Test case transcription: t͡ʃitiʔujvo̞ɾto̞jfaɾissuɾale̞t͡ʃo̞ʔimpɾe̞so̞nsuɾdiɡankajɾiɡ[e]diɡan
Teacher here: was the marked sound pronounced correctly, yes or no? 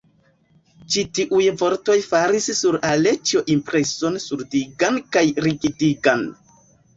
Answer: no